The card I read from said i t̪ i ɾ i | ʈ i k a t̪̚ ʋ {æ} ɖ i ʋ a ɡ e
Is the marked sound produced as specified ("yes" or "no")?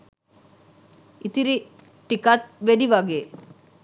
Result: no